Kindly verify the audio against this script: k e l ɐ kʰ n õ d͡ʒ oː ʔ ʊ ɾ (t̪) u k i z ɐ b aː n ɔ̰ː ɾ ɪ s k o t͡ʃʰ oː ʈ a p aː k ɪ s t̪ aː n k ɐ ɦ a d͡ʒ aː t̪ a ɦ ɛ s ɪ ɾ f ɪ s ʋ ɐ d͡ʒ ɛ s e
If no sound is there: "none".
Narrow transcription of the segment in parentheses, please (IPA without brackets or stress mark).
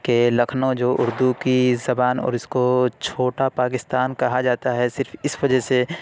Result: d̪